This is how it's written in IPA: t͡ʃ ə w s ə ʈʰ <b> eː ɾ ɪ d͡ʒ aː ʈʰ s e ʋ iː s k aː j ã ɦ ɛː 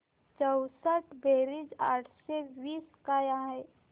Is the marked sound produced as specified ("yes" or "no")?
yes